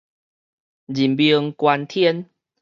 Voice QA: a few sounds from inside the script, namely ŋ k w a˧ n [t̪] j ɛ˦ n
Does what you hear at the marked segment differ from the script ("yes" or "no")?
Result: yes